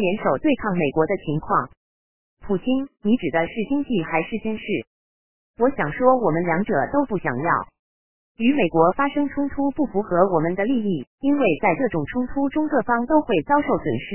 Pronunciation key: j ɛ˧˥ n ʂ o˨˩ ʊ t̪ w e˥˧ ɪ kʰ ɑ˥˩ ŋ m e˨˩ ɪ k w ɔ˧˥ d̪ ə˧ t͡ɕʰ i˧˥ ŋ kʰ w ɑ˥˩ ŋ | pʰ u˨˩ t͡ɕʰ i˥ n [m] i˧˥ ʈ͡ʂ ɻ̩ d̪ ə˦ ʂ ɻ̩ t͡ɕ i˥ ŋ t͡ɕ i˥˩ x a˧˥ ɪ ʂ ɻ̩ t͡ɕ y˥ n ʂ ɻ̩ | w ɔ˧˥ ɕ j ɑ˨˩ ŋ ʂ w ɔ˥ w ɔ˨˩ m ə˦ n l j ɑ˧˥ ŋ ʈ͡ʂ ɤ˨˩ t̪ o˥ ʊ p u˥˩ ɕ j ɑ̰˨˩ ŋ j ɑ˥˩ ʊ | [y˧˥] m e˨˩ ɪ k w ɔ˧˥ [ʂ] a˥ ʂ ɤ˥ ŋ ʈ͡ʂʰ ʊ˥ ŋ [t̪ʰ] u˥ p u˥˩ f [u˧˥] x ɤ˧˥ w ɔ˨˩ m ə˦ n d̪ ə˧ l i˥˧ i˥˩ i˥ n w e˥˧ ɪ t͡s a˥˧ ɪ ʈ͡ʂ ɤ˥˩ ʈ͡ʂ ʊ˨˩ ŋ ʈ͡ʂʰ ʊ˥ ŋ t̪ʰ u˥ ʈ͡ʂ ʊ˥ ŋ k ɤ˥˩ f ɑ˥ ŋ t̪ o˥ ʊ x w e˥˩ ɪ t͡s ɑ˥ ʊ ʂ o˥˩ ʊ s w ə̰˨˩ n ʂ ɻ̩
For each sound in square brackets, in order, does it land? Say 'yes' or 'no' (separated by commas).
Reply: no, yes, no, yes, yes